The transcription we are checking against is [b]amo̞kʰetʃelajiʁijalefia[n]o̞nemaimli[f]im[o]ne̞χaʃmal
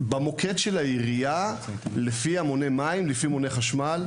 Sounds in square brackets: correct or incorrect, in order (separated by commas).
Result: correct, incorrect, correct, correct